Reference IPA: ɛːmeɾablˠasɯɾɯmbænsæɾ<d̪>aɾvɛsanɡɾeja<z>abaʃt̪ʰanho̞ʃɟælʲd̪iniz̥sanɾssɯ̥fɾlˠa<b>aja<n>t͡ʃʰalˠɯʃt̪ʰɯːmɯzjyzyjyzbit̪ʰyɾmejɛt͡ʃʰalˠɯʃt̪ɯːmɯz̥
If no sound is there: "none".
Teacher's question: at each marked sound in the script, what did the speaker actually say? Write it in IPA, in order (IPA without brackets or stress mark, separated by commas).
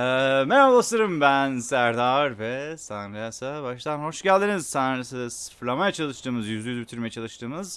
d̪, s, m, none